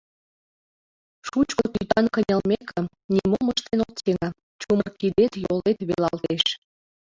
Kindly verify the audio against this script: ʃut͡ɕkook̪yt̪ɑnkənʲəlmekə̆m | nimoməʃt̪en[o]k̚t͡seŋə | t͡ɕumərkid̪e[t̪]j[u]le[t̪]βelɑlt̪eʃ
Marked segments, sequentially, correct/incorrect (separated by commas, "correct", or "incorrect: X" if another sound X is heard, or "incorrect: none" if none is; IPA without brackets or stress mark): correct, correct, incorrect: o, correct